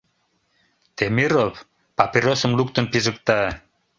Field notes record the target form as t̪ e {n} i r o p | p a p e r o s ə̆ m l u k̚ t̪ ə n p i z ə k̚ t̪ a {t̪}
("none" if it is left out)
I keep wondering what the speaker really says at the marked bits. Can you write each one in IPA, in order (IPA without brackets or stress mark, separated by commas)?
m, none